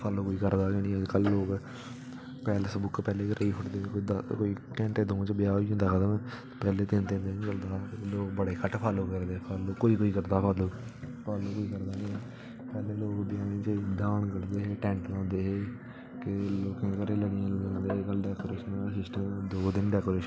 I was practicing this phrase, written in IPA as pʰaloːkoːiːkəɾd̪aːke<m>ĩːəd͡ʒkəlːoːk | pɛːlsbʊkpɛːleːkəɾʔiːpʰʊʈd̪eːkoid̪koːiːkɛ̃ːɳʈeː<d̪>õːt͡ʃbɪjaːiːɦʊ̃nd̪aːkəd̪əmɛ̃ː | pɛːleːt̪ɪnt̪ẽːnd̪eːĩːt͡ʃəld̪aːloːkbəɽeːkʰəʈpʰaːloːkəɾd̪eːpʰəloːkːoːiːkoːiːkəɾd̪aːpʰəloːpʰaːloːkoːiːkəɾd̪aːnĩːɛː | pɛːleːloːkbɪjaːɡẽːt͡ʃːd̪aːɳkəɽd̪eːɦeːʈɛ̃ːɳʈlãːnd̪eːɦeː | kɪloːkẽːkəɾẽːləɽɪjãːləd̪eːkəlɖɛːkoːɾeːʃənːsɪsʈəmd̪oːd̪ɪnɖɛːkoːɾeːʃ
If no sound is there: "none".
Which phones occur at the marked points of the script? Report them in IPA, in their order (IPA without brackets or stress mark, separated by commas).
n, d̪